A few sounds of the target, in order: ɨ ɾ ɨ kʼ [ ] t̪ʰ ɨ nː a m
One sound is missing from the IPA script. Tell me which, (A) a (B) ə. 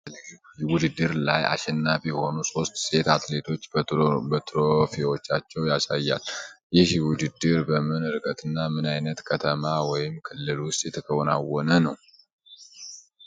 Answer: B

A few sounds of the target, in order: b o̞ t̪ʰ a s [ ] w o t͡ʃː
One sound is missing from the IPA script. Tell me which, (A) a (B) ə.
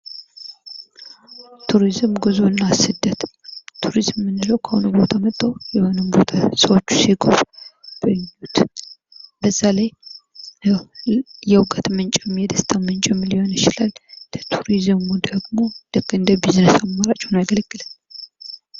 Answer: B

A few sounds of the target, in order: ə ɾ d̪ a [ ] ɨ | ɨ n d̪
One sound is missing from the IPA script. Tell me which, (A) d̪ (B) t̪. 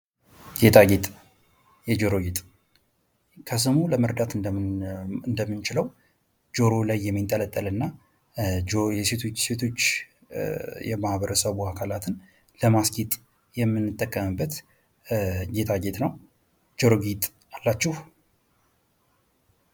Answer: B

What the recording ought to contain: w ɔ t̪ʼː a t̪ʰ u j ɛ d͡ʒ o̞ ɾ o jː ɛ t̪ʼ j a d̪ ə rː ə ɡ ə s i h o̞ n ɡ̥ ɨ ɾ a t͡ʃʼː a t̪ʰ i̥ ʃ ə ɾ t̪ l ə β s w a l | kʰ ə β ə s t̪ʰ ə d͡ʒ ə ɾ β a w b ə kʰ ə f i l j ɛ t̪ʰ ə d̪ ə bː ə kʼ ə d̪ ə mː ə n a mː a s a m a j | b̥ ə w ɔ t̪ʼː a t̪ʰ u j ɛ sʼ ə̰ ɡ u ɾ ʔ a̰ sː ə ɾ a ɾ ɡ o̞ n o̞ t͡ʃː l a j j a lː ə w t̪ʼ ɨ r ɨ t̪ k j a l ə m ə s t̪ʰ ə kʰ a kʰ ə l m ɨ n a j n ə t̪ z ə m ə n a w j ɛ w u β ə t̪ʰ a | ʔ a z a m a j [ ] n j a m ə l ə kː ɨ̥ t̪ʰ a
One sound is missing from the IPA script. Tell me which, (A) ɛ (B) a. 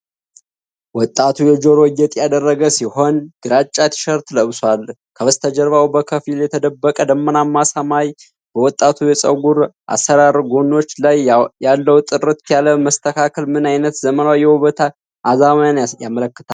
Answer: B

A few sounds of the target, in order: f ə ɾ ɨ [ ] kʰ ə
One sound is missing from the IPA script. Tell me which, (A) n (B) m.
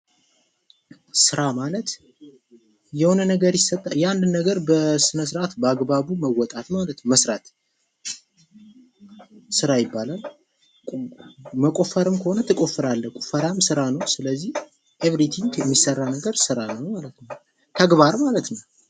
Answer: B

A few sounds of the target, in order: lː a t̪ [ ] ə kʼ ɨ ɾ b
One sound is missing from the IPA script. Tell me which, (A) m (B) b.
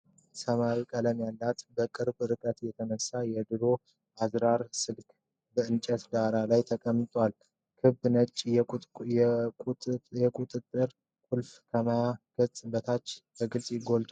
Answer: B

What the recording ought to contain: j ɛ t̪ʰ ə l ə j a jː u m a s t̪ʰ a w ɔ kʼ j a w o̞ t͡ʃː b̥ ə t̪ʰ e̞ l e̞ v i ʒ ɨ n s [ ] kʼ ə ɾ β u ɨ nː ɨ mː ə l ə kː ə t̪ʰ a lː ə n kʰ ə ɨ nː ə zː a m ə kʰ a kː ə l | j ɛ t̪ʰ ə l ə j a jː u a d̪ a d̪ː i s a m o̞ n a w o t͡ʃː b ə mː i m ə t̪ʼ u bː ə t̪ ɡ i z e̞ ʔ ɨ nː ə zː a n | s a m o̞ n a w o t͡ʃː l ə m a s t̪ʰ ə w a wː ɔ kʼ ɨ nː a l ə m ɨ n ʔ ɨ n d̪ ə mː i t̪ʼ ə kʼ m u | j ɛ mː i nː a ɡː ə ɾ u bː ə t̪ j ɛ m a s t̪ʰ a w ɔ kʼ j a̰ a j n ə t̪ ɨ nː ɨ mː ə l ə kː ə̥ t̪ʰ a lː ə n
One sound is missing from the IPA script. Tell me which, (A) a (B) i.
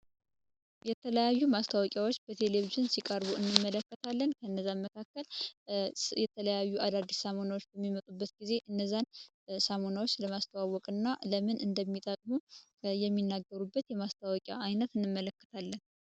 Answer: B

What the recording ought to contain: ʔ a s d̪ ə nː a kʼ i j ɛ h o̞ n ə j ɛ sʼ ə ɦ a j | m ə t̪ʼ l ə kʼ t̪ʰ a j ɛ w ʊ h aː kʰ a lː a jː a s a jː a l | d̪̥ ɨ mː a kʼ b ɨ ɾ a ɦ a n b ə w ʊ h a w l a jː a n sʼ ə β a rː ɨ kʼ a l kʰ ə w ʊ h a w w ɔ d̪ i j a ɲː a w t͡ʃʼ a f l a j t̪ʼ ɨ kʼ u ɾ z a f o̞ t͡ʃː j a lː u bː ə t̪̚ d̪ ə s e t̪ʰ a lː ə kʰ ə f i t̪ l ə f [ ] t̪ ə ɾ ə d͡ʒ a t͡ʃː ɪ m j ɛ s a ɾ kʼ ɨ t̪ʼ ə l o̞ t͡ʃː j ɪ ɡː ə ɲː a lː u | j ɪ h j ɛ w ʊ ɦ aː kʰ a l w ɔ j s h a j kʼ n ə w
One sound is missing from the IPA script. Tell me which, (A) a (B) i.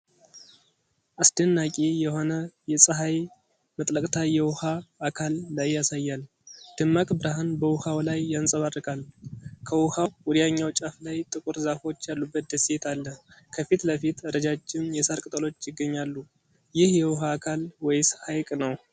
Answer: B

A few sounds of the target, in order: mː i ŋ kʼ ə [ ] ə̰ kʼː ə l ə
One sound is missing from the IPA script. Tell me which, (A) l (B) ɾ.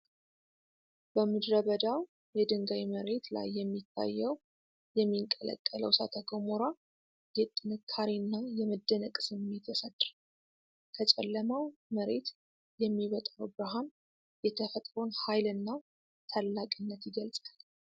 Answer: A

